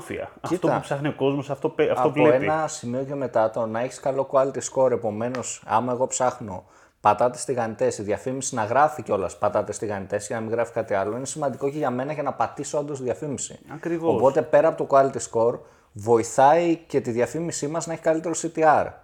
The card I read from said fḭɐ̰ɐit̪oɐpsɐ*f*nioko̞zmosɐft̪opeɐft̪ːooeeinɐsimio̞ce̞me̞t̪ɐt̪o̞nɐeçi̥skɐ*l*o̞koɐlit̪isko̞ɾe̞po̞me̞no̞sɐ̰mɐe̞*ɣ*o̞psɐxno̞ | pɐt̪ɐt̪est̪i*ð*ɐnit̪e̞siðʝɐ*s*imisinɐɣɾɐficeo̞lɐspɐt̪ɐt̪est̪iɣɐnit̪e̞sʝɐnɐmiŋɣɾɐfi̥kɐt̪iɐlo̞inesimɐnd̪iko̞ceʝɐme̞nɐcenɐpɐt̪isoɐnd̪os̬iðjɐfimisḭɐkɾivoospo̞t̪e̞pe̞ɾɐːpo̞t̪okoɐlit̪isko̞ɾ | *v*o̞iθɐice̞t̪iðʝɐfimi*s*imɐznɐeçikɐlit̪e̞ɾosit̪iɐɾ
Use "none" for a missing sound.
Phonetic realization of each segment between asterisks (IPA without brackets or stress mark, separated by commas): x, l, ɣ, ɣ, f, v, s